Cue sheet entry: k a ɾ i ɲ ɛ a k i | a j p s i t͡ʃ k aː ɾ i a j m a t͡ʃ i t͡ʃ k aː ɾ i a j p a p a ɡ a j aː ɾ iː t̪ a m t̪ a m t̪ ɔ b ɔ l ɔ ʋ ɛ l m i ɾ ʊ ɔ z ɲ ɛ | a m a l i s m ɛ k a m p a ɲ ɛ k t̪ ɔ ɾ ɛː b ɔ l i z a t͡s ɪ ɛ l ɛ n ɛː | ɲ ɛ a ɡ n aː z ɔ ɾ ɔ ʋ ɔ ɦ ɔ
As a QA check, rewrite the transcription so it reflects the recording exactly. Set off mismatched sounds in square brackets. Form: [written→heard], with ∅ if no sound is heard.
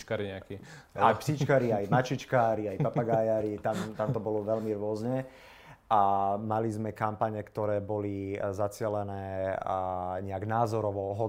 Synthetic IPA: k a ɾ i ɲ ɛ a k i | a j p s i t͡ʃ k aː ɾ i a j m a t͡ʃ i t͡ʃ k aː ɾ i a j p a p a ɡ a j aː ɾ [iː→i] t̪ a m t̪ a m t̪ ɔ b ɔ l ɔ ʋ ɛ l m i ɾ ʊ ɔ z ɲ ɛ | a m a l i [s→z] m ɛ k a m p a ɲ ɛ k t̪ ɔ ɾ ɛː b ɔ l i z a t͡s ɪ ɛ l ɛ n ɛː | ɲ ɛ a ɡ n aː z ɔ ɾ ɔ ʋ ɔ ɦ ɔ